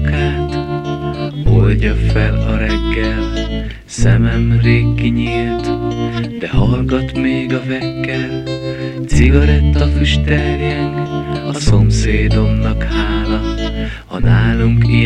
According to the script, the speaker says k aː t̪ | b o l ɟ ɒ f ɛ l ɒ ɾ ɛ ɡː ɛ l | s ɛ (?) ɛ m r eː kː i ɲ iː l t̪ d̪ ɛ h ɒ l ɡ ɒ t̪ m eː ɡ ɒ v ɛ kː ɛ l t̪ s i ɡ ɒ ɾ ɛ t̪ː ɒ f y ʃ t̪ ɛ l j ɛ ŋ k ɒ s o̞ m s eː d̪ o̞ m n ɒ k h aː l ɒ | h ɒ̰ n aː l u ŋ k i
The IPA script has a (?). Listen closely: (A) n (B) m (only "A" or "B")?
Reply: B